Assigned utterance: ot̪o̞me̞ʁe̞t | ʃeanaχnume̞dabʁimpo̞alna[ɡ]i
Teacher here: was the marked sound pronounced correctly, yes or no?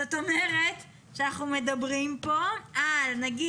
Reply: yes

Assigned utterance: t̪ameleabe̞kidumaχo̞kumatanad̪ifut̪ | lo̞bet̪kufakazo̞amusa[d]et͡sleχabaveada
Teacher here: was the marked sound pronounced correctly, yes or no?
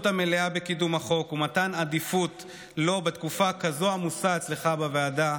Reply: no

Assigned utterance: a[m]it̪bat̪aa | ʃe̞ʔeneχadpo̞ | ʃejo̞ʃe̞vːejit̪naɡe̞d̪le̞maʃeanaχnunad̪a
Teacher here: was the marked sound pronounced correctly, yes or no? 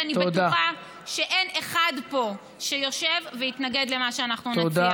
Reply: no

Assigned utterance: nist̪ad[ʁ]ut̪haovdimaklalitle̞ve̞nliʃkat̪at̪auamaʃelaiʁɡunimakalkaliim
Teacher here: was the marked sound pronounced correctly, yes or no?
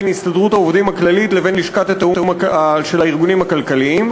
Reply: yes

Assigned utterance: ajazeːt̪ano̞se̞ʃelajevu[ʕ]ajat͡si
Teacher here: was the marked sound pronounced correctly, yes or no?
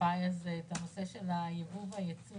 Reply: no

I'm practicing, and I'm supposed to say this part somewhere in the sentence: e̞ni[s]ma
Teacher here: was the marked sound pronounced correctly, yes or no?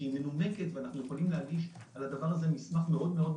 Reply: yes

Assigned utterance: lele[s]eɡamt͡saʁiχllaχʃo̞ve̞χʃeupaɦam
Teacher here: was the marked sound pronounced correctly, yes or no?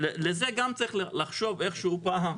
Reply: no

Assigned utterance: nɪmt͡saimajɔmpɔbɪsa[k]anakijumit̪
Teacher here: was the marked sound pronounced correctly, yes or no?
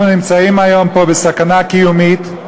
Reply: yes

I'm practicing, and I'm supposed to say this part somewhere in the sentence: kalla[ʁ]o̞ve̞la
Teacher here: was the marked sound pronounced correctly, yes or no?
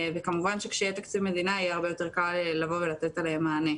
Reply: no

